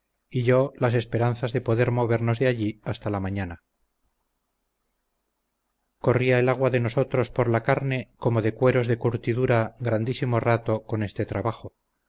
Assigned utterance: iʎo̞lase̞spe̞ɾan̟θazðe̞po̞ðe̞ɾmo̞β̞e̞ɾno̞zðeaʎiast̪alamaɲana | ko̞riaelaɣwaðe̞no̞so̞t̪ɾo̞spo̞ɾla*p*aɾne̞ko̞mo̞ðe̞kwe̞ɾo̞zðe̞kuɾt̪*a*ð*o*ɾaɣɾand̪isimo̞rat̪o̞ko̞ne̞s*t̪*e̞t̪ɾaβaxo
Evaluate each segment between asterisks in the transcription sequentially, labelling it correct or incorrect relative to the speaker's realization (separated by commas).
incorrect, incorrect, incorrect, correct